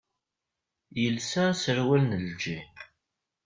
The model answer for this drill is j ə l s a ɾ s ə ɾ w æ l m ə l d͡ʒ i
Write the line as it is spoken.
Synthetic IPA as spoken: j ə l s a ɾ s ə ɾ w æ l n ə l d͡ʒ i